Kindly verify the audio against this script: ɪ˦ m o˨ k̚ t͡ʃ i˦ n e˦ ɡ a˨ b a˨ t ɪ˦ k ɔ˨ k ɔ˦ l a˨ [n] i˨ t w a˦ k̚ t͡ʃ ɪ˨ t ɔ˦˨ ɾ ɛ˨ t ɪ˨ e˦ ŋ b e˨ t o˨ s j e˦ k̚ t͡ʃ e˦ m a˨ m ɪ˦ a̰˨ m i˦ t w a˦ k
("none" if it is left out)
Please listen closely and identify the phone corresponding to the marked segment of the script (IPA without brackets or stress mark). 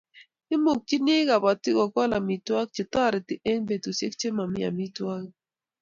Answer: m